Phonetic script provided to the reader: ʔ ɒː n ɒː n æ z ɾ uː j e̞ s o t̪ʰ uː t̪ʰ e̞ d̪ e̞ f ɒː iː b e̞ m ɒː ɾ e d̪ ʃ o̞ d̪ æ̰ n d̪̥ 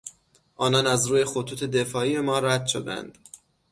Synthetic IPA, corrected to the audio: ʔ ɒː n ɒː n æ z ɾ uː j e̞ x o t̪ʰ uː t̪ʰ e̞ d̪ e̞ f ɒː iː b e̞ m ɒː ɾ æ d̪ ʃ o̞ d̪ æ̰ n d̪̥